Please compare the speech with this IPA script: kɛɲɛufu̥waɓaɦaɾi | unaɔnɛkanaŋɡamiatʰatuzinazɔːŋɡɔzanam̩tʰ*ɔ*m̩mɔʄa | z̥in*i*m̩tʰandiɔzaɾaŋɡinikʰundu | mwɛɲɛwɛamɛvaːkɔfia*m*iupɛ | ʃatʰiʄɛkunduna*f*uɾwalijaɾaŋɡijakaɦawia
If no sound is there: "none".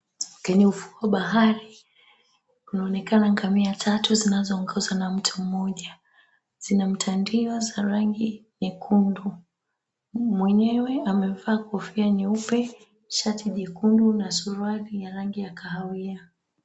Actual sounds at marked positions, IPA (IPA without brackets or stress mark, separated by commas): u, a, n, s